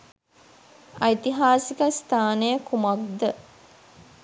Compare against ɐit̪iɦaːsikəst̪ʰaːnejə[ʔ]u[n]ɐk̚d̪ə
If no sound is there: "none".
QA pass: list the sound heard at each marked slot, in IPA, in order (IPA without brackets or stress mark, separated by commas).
k, m